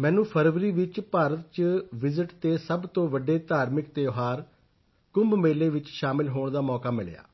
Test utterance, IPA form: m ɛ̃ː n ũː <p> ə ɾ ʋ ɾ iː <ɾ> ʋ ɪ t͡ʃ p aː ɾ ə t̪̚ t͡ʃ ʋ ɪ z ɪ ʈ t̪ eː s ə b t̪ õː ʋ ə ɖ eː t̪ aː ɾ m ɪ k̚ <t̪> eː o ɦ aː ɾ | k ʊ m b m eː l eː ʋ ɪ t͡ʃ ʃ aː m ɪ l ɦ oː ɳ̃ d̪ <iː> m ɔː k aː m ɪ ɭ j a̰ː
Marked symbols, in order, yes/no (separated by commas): no, no, yes, no